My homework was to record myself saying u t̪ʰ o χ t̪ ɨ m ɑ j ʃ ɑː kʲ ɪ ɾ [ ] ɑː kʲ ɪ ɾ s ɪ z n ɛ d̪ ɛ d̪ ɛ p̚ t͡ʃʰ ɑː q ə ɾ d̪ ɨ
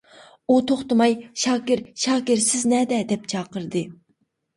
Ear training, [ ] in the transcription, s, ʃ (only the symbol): ʃ